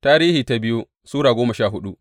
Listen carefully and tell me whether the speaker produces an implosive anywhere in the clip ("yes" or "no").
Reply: yes